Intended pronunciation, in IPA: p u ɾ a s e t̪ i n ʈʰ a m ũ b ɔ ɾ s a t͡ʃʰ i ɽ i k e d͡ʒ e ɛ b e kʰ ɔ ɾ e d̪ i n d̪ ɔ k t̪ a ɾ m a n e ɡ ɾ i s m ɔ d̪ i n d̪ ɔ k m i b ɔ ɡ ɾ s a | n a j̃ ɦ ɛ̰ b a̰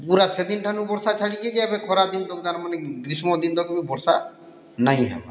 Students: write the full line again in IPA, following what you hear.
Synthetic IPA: p u ɾ a s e d̪ i n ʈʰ a n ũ b ɔ ɾ s a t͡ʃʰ a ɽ i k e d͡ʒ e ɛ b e kʰ ɔ ɾ a d̪ i n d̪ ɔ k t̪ a ɾ m a n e ɡ ɾ i s m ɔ d̪ i n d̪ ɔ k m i b ɔ ɾ s a | n a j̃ ɦ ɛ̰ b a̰